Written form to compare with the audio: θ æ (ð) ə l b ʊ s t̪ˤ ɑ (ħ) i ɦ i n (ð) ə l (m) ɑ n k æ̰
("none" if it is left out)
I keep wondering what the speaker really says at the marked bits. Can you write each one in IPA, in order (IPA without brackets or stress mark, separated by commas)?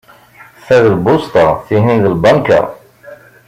ð, θ, ð, b